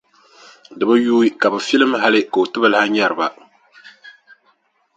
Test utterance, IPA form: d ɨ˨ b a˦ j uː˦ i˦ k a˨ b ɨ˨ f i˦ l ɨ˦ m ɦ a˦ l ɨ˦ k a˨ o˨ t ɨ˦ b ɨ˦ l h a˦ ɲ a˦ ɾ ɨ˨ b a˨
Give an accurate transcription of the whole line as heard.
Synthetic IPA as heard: d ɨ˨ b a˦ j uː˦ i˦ k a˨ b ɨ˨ f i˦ l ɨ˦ m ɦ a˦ l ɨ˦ k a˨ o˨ t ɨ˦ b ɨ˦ l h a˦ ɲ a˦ ɾ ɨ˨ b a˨